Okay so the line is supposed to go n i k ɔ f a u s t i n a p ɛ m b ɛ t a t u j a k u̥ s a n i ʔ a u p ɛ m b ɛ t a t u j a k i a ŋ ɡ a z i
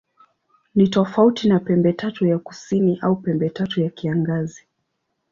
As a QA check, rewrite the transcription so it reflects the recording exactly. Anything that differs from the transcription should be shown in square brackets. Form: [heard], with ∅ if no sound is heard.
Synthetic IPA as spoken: n i [t] ɔ f a u [∅] t i n a p ɛ m b ɛ t a t u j a k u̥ s [i] n i ʔ a u p ɛ m b ɛ t a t u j a k i a ŋ ɡ a z i